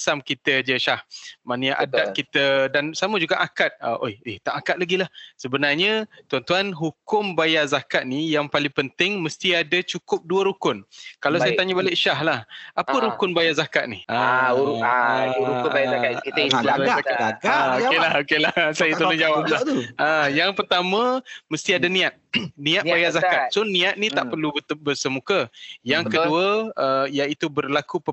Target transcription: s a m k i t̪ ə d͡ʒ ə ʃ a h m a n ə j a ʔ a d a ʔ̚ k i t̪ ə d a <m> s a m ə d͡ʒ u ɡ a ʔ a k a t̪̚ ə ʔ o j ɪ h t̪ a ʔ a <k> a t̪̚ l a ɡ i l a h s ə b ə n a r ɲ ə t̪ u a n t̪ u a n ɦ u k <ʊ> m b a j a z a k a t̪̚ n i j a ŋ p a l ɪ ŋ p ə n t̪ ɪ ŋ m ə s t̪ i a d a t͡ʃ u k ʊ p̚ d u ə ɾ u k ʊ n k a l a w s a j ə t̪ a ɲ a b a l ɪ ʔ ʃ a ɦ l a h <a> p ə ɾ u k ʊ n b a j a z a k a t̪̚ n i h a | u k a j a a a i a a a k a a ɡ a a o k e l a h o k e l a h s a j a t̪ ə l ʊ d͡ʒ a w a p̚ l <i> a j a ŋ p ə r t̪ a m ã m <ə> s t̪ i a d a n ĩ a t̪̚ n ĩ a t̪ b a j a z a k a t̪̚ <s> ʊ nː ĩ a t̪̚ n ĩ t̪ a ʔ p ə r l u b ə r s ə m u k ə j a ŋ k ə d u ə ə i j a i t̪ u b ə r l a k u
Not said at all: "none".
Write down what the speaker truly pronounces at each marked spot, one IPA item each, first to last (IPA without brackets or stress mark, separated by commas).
n, k, ʊ, a, a, ə, s